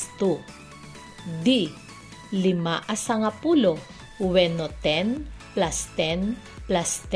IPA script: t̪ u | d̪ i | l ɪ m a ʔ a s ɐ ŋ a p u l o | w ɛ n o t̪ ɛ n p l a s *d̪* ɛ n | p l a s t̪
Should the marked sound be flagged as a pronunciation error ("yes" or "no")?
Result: yes